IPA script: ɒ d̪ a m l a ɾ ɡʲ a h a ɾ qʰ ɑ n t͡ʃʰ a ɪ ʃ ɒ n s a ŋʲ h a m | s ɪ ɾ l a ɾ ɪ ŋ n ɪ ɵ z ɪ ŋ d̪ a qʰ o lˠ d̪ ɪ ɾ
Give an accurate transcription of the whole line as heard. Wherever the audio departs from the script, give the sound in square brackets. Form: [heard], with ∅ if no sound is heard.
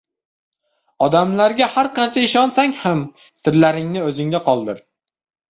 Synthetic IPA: ɒ d̪ a m l a ɾ ɡʲ a h a ɾ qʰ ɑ n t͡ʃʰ a ɪ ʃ ɒ n s a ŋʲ h a m | s ɪ ɾ l a ɾ ɪ ŋ n ɪ ɵ z ɪ ŋ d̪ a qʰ [ɒ] lˠ d̪ ɪ ɾ